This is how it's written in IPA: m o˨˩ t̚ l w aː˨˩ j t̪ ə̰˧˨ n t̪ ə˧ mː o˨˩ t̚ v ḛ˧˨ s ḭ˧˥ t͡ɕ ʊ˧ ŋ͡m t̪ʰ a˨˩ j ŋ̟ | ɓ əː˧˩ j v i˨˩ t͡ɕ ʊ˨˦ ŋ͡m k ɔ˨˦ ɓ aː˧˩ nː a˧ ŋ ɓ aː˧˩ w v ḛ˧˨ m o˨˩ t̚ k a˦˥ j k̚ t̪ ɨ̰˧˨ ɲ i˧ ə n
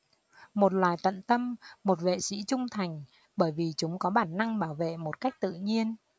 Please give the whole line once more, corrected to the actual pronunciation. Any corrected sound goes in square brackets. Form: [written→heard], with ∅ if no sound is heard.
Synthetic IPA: m o˨˩ t̚ l w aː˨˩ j t̪ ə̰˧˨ n t̪ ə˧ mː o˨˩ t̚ v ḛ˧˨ s ḭ˧˥ t͡ɕ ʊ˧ ŋ͡m t̪ʰ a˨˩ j ŋ̟ | ɓ əː˧˩ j v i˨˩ t͡ɕ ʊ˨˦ ŋ͡m k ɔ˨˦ ɓ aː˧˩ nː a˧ ŋ ɓ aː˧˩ w v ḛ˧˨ m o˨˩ t̚ k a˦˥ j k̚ t̪ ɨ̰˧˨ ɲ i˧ ə n